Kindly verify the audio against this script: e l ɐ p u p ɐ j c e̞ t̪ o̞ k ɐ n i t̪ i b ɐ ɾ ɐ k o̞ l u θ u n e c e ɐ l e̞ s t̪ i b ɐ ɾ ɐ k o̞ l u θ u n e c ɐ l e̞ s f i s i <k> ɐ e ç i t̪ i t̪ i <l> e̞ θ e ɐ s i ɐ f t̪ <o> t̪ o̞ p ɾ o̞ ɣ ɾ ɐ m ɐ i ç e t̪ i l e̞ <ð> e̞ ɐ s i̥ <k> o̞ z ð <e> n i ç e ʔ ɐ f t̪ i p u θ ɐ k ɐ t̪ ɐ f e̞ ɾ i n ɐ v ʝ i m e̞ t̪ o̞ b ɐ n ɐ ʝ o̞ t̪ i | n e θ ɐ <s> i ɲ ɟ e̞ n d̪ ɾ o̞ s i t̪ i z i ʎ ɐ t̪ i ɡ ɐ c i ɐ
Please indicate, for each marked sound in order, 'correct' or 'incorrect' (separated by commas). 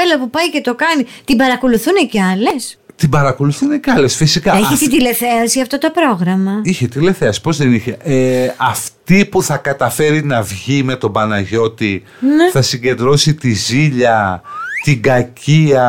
correct, correct, correct, incorrect, incorrect, correct, correct